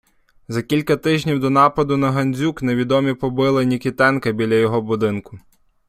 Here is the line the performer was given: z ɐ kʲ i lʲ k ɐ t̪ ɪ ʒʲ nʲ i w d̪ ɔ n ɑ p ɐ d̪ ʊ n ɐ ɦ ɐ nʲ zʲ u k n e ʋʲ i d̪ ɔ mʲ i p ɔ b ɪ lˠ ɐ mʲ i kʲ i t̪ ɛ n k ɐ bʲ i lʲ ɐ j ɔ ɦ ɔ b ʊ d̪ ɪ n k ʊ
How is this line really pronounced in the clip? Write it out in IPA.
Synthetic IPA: z ɐ kʲ i lʲ k ɐ t̪ ɪ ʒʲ nʲ i w d̪ ɔ n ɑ p ɐ d̪ ʊ n ɐ ɦ ɐ nʲ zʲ u k n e ʋʲ i d̪ ɔ mʲ i p ɔ b ɪ lˠ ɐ nʲ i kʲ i t̪ ɛ n k ɐ bʲ i lʲ ɐ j ɔ ɦ ɔ b ʊ d̪ ɪ n k ʊ

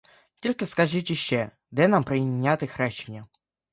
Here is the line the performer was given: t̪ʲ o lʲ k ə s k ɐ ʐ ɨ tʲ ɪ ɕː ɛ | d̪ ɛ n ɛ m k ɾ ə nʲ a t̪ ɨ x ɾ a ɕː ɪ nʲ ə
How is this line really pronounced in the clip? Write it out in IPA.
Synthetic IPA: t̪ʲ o lʲ k ə s k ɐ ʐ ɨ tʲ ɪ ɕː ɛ | d̪ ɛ n a m p ɾ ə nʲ a t̪ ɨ x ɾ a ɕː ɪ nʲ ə

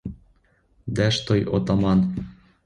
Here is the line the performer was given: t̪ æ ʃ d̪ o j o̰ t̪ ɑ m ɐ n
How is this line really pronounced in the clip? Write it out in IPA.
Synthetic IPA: d̪ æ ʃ t̪ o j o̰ t̪ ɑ m ɑ n

